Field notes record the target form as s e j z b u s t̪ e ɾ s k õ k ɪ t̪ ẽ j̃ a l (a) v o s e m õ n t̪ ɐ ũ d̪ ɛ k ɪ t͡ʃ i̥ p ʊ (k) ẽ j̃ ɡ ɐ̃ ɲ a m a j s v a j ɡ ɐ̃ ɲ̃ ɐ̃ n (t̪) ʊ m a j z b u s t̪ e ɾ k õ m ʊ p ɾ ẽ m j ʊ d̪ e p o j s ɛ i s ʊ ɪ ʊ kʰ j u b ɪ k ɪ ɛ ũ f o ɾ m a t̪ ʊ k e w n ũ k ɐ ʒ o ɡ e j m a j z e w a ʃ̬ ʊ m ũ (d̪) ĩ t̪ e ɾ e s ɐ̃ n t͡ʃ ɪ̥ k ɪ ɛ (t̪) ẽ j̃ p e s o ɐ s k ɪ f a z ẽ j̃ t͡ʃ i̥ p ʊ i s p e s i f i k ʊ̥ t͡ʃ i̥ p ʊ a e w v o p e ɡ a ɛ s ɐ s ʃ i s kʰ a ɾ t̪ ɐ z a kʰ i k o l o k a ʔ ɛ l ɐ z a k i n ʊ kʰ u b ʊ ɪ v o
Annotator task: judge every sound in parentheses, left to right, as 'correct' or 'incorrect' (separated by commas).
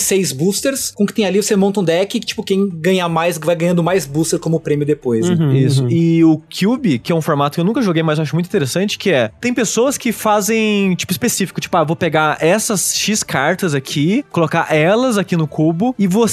incorrect, correct, incorrect, incorrect, correct